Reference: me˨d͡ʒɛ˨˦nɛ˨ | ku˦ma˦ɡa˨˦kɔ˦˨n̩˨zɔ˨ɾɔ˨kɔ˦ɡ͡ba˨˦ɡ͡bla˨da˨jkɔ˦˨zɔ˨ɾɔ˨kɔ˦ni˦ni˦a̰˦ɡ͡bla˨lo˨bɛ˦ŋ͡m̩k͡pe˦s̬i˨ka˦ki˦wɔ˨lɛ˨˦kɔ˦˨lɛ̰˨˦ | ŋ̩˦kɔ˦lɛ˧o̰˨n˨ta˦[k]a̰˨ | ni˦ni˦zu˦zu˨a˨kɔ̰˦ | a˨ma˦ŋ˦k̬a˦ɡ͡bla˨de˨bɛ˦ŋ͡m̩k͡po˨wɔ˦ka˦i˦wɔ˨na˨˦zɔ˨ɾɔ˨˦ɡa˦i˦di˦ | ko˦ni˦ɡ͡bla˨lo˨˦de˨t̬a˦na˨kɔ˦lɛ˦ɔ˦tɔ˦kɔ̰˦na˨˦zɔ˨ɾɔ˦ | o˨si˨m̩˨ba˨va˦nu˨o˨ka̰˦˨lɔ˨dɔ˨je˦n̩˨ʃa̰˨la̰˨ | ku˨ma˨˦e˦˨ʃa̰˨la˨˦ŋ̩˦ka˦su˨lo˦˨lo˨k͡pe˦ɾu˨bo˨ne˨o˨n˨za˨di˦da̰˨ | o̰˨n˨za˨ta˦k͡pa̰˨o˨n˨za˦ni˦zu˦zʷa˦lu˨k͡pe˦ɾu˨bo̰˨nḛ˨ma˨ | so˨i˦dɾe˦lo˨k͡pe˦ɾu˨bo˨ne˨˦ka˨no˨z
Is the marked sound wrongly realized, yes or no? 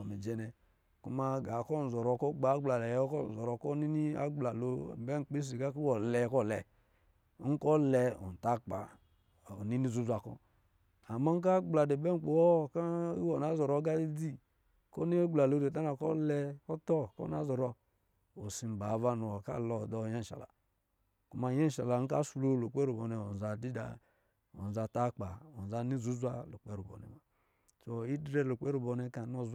yes